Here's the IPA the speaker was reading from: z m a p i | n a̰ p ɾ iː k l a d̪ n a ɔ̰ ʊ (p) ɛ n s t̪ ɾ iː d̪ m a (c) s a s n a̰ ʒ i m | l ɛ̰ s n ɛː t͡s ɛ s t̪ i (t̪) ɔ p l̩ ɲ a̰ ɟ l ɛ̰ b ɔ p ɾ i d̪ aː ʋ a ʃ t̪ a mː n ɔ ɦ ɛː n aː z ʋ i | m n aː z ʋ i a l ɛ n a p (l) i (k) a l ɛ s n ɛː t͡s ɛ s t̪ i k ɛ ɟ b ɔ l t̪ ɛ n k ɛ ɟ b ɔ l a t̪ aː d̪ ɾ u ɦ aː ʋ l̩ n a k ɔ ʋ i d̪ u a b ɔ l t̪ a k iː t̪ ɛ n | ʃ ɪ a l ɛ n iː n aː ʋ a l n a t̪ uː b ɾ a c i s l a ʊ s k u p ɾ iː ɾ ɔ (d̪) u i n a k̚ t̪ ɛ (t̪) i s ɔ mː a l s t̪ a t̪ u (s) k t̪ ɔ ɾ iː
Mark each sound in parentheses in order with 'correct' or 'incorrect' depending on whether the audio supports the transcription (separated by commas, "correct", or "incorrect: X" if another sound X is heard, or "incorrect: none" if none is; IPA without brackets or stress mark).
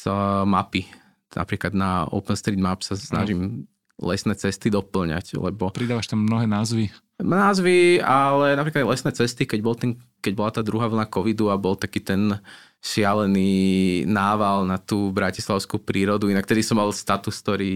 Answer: correct, incorrect: p, incorrect: d̪, incorrect: ɾ, correct, correct, incorrect: d̪, correct